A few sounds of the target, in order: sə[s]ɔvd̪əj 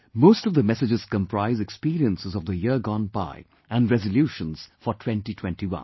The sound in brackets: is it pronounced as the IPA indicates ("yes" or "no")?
no